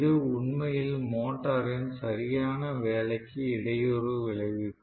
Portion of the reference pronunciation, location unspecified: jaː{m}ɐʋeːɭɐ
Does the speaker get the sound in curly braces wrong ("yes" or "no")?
yes